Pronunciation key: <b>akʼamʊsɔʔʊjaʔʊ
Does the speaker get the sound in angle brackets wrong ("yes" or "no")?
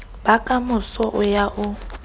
no